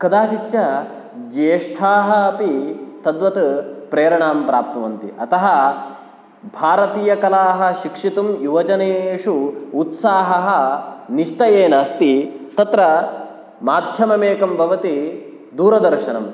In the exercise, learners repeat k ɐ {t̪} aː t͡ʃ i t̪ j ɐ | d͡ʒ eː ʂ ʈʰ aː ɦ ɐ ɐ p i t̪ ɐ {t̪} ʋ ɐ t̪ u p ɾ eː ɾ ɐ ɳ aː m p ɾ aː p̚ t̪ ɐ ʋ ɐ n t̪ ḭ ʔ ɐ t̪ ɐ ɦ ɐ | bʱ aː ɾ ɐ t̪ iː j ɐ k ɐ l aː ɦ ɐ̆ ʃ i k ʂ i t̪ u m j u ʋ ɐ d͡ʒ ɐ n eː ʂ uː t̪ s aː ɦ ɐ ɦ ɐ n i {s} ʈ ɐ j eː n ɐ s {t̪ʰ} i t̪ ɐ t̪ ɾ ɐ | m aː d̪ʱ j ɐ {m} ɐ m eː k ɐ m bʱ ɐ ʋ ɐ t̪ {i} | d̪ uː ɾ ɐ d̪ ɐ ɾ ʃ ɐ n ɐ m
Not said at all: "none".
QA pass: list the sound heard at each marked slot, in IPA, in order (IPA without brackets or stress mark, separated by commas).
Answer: d̪, d̪, ʂ, t̪, m, i